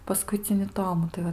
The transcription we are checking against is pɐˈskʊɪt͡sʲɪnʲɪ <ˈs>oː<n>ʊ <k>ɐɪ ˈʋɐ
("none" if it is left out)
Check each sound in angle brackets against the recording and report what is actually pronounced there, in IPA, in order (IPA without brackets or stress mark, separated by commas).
t, m, t